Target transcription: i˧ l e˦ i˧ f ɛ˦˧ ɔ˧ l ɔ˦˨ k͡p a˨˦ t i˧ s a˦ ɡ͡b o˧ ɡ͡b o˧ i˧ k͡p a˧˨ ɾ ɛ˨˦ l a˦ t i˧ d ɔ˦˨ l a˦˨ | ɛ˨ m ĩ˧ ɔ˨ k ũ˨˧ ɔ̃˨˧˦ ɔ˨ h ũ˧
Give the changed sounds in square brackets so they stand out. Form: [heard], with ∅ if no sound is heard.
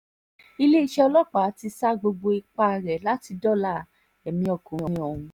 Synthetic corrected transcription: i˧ l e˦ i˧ [ʃ] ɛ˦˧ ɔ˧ l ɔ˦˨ k͡p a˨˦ t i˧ s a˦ ɡ͡b o˧ ɡ͡b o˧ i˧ k͡p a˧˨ ɾ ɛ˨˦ l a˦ t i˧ d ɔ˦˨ l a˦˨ | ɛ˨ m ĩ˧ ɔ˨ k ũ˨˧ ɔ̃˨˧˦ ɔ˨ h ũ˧